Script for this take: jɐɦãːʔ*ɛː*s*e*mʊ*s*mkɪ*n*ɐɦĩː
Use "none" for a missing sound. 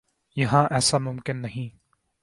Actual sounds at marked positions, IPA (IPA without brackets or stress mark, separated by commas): ɛː, a, none, nː